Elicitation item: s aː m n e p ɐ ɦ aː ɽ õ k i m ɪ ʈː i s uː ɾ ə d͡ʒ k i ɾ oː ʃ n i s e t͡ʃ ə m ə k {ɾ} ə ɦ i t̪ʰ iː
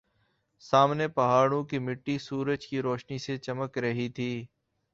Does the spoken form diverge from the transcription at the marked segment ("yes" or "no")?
no